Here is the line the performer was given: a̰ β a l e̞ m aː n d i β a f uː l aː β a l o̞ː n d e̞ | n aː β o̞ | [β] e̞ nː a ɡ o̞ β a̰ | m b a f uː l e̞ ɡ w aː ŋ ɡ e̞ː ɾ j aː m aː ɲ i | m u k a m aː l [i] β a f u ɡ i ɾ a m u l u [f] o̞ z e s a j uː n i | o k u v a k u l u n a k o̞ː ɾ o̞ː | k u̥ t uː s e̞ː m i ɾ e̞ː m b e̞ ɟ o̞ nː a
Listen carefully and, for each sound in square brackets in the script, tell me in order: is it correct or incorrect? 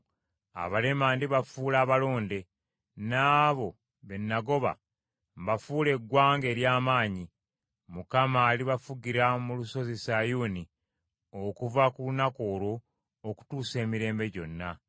correct, correct, incorrect

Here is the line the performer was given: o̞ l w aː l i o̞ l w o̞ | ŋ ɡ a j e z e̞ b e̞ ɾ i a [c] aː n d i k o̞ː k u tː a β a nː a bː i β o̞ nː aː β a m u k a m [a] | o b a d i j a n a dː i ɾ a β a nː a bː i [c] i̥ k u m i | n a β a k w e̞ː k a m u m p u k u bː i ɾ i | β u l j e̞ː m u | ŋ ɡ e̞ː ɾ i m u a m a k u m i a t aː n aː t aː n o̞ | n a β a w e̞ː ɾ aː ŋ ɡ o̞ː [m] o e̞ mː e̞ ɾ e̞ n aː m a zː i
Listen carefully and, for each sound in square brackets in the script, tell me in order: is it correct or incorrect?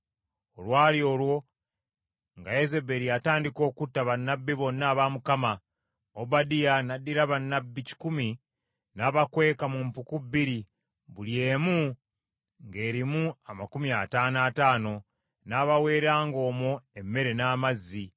incorrect, correct, correct, correct

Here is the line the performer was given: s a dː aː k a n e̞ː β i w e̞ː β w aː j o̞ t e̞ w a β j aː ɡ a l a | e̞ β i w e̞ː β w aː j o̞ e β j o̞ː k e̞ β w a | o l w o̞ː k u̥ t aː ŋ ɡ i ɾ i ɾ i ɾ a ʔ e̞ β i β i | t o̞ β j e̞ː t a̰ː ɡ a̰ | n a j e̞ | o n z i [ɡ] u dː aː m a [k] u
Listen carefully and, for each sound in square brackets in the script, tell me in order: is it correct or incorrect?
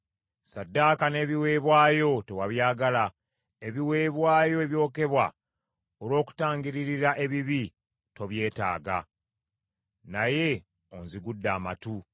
correct, incorrect

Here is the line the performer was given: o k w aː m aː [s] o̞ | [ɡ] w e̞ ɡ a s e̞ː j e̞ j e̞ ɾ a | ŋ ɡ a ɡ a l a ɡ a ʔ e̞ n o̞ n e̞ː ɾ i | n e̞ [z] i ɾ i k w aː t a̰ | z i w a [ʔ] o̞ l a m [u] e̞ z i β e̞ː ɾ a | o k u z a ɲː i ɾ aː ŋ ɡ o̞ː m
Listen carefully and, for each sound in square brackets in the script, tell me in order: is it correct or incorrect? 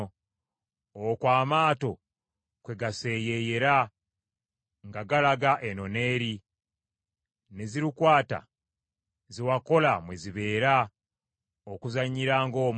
incorrect, incorrect, correct, incorrect, incorrect

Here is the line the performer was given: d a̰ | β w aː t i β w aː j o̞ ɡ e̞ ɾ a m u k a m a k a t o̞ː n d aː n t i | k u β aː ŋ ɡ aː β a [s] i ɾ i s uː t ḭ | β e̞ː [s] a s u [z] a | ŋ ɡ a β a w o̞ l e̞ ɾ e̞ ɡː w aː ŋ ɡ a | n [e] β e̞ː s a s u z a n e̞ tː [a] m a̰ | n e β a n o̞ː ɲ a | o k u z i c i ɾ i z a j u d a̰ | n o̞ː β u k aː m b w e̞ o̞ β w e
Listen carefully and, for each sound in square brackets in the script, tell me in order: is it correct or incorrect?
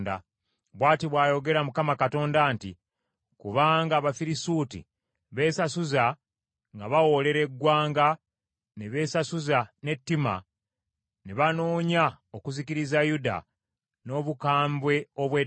incorrect, correct, correct, correct, incorrect

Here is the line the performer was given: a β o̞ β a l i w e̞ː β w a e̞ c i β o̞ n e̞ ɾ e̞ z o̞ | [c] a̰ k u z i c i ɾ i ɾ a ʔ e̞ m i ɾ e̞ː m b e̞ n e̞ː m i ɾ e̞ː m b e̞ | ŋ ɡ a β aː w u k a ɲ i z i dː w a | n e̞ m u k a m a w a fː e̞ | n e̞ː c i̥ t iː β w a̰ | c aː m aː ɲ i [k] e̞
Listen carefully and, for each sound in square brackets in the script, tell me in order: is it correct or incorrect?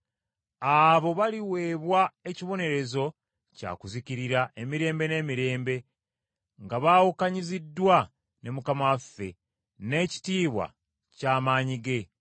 correct, incorrect

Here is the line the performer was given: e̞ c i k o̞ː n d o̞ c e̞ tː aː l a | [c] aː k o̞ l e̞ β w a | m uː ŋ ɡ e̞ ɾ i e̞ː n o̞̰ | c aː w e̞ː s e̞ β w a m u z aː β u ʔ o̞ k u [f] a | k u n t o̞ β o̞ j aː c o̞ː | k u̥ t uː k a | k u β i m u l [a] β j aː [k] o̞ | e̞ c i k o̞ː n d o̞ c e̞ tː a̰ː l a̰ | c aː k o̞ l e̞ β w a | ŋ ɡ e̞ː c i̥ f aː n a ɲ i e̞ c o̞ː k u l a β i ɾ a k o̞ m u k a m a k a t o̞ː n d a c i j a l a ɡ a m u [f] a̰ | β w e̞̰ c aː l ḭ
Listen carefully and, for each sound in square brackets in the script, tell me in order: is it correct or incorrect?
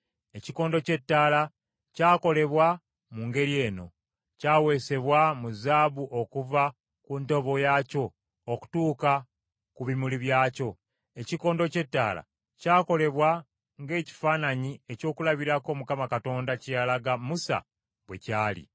correct, incorrect, incorrect, incorrect, incorrect

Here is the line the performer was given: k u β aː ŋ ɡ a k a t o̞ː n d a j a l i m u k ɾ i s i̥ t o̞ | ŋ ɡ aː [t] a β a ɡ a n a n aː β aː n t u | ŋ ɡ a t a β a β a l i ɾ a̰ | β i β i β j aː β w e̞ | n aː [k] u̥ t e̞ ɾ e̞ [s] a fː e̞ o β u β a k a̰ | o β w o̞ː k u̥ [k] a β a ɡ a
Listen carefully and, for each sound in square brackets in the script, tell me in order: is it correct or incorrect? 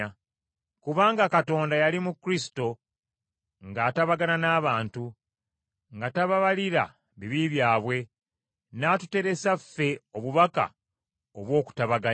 correct, incorrect, correct, incorrect

